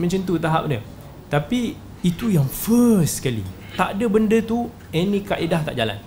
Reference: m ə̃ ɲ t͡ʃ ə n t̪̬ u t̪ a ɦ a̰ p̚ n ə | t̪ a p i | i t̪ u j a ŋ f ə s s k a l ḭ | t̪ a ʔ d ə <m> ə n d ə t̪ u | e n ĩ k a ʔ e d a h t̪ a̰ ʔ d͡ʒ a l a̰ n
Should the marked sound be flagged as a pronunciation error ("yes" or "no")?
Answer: yes